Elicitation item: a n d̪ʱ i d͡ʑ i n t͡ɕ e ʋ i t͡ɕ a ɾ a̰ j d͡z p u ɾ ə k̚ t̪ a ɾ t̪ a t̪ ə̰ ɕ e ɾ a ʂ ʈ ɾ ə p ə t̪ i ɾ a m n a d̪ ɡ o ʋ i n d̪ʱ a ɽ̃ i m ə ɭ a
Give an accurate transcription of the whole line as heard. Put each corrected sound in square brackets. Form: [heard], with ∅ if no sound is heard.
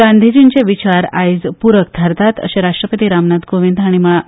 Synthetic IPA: a n d̪ʱ i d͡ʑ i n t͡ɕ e ʋ i t͡ɕ a ɾ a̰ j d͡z p u ɾ ə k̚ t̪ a ɾ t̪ a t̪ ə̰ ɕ e ɾ a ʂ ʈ ɾ ə p ə t̪ i ɾ a m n a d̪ ɡ o ʋ i n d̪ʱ a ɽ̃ i m ə ɭ a